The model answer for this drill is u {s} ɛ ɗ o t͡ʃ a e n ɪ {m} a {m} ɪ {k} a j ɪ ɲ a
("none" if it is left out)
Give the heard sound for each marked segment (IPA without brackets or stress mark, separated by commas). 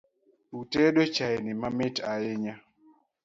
t, m, m, t